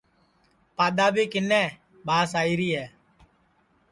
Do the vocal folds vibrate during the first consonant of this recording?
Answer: no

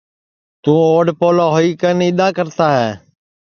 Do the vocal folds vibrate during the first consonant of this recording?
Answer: no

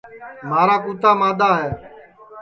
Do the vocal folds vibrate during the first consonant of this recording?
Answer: yes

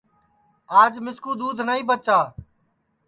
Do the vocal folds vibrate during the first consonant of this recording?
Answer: yes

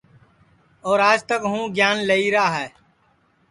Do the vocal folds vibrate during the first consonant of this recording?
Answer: yes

